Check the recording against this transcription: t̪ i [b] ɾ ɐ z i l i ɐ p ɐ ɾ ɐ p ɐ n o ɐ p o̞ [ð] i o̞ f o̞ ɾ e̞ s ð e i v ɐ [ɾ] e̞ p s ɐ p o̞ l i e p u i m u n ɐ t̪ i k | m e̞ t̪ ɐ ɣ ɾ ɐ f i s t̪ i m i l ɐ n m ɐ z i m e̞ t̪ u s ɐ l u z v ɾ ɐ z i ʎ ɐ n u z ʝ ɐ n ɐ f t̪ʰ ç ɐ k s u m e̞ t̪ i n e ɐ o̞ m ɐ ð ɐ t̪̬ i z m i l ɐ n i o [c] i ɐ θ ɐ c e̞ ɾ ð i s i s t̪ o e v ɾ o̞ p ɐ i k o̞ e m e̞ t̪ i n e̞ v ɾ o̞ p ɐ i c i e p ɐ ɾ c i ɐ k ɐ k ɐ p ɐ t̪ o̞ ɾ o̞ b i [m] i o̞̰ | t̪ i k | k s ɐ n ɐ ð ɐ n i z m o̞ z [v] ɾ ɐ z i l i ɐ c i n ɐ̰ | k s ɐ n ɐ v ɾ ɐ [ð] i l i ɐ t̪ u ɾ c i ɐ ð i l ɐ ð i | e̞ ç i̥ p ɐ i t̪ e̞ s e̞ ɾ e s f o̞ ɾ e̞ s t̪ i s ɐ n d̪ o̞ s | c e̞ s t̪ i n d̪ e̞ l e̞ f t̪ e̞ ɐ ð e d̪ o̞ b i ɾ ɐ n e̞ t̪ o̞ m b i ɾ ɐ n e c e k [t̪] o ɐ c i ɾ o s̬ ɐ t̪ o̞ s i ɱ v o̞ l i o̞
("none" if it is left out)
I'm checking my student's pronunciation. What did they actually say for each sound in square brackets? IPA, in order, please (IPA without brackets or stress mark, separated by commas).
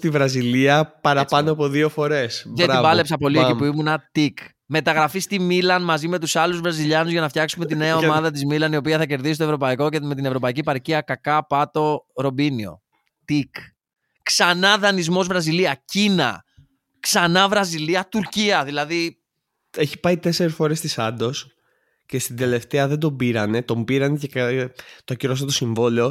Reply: v, ð, l, p, n, v, z, t̪